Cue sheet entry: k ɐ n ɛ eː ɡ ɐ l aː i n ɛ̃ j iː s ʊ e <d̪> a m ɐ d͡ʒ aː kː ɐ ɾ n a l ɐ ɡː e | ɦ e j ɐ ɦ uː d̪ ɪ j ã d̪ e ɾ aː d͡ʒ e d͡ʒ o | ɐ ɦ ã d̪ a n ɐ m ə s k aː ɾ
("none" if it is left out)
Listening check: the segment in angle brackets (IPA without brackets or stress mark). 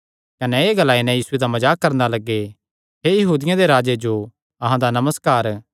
d̪